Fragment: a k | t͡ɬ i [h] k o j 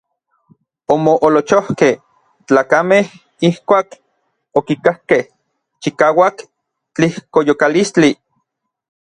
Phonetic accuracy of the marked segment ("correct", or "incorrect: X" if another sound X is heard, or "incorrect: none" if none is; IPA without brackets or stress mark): correct